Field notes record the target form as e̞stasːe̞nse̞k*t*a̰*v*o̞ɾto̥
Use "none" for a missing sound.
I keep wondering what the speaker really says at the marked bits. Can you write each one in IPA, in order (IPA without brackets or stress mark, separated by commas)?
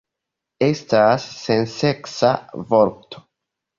s, v